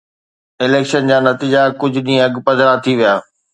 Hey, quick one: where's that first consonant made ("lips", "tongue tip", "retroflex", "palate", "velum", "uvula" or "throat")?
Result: tongue tip